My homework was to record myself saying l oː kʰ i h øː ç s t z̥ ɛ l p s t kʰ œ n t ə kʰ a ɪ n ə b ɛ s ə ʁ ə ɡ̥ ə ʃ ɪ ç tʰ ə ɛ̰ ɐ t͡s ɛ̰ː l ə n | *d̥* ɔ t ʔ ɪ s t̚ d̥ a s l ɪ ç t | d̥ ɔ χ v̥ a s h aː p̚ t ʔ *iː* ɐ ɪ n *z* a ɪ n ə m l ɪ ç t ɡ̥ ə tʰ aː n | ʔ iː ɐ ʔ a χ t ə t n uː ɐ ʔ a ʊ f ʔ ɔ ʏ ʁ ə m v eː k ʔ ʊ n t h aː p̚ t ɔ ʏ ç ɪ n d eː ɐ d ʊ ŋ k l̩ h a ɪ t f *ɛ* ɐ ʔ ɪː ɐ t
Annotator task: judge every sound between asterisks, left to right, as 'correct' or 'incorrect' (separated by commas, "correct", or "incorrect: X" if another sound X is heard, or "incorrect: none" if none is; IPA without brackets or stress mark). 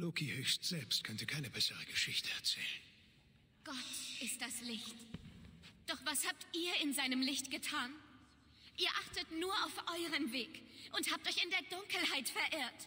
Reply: incorrect: ɡ̥, correct, correct, correct